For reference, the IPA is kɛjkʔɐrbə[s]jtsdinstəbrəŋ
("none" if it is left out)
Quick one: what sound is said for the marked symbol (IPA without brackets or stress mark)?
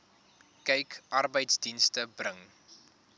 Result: none